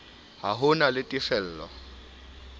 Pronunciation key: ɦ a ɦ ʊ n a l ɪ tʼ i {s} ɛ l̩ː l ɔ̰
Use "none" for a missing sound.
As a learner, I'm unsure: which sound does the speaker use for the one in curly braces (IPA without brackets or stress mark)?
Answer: f